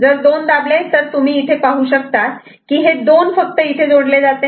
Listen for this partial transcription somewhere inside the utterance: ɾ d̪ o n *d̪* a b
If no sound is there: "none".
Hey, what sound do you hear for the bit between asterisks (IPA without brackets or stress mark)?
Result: d̪